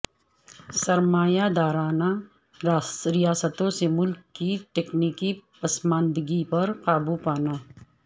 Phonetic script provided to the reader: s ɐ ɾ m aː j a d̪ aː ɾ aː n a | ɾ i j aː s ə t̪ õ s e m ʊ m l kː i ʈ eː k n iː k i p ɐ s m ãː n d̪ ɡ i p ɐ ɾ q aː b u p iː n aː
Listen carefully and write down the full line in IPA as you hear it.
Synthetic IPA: s ɐ ɾ m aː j a d̪ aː ɾ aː n a | ɾ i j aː s ə t̪ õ s e m ʊ l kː i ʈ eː k n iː k i p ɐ s m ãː n d̪ ɡ i p ɐ ɾ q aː b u p aː n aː